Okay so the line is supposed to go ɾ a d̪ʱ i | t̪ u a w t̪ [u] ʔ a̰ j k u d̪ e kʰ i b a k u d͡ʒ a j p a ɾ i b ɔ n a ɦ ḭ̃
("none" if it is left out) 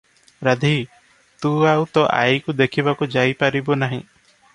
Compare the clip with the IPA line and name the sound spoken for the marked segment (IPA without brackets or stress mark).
ɔ